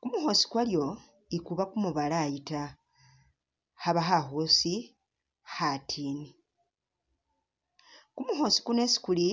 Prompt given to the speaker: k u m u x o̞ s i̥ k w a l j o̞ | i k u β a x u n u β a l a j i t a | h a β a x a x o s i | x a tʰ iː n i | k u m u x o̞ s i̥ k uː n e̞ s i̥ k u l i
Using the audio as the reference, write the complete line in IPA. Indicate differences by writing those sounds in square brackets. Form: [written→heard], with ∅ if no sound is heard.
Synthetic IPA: k u m u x o̞ s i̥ k w a l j o̞ | i k u β a [x→k] u [n→m] u β a l a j i t a | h a β a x a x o s i | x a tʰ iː n i | k u m u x o̞ s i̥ k [uː→u] n e̞ s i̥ k u l i

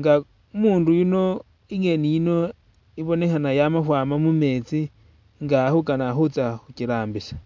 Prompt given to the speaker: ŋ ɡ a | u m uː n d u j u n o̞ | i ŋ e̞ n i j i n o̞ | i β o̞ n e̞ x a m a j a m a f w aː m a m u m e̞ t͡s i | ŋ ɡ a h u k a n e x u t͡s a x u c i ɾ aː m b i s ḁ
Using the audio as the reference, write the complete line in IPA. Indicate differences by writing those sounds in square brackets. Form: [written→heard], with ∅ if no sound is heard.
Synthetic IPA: ŋ ɡ a | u m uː n d u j u n o̞ | i ŋ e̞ n i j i n o̞ | i β o̞ n e̞ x a [m→n] a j a m a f w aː m a m u m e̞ t͡s i | ŋ ɡ a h u k a n [e→a] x u t͡s a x u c i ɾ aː m b i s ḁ

